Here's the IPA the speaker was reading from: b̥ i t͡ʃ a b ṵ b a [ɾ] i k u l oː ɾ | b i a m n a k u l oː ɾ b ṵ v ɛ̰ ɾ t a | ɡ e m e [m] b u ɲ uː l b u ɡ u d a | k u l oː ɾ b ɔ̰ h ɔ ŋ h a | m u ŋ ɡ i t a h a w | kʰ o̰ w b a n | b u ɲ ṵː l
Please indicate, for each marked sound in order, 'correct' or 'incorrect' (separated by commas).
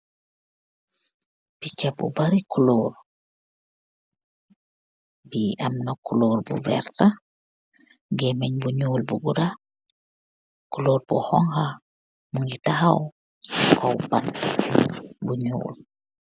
correct, incorrect